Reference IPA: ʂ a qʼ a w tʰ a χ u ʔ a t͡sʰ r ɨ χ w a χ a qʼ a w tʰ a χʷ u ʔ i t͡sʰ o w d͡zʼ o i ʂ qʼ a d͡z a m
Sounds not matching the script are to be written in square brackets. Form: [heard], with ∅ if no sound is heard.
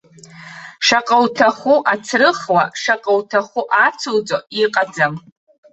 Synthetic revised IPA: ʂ a qʼ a w tʰ a χ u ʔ a t͡sʰ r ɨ χ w a [ʂ] a qʼ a w tʰ a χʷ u ʔ [a] t͡sʰ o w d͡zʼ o i [∅] qʼ a d͡z a m